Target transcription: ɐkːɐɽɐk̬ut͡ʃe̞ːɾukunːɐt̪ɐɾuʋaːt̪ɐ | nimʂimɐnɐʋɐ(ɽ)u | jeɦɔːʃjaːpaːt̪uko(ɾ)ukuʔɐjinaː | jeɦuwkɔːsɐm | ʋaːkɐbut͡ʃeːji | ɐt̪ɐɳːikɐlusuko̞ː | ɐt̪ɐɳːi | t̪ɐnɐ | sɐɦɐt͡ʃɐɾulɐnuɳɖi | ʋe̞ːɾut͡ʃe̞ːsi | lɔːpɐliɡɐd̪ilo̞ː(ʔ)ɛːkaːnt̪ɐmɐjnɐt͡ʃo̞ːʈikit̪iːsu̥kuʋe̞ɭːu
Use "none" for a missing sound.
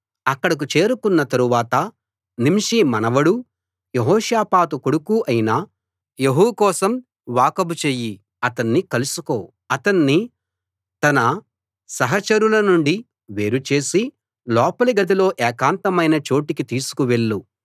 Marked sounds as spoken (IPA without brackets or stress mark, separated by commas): ɽ, ɽ, ʔ